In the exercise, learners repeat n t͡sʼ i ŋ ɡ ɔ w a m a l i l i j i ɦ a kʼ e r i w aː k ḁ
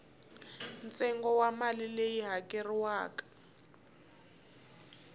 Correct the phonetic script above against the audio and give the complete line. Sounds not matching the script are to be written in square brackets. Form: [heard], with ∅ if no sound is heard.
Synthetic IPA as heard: n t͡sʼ [ɛ] ŋ ɡ ɔ w a m a l i l [e] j i ɦ a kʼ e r i w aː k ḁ